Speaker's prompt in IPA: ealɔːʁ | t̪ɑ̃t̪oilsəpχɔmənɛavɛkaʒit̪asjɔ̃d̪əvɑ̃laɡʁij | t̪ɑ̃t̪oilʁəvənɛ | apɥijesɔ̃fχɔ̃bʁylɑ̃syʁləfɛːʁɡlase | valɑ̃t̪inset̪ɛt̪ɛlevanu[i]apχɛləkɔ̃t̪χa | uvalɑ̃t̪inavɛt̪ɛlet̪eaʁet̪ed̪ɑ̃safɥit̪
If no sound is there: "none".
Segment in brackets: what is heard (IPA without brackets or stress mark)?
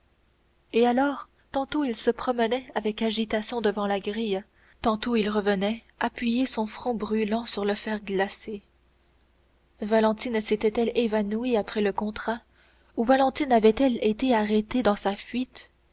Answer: i